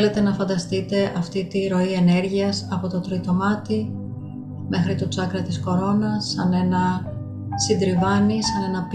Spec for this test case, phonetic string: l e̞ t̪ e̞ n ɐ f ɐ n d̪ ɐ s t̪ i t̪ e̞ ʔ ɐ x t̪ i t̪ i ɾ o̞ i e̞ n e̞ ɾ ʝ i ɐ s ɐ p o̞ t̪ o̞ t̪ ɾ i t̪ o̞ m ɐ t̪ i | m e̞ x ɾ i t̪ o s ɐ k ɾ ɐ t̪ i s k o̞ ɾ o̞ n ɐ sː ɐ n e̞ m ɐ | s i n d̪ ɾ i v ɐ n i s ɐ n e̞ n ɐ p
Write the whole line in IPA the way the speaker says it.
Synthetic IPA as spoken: l e̞ t̪ e̞ n ɐ f ɐ n d̪ ɐ s t̪ i t̪ e̞ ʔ ɐ f t̪ i t̪ i ɾ o̞ i e̞ n e̞ ɾ ʝ i ɐ s ɐ p o̞ t̪ o̞ t̪ ɾ i t̪ o̞ m ɐ t̪ i | m e̞ x ɾ i t̪ o t͡s ɐ k ɾ ɐ t̪ i s k o̞ ɾ o̞ n ɐ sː ɐ n e̞ n ɐ | s i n d̪ ɾ i v ɐ n i s ɐ n e̞ n ɐ p